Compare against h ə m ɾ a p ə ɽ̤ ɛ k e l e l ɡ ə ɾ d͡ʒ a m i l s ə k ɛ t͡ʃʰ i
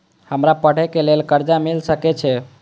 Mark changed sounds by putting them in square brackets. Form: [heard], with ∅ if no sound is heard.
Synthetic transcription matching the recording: h ə m ɾ a p ə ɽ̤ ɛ k e l e l [k] ə ɾ d͡ʒ a m i l s ə k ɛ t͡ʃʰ [ɛ]